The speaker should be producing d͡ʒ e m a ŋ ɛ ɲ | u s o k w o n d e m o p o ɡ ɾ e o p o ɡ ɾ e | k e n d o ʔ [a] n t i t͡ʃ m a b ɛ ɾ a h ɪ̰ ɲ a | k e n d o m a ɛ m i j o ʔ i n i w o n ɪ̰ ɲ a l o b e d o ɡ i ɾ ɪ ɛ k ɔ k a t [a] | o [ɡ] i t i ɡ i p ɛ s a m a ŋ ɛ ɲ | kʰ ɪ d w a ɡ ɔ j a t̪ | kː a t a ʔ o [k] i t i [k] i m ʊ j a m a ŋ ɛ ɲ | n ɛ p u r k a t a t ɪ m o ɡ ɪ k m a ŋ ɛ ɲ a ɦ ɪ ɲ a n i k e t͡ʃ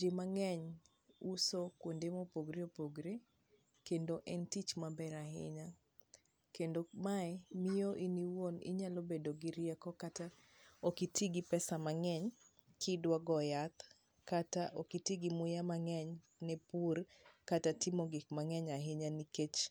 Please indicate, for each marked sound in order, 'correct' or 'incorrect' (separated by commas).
incorrect, correct, incorrect, correct, incorrect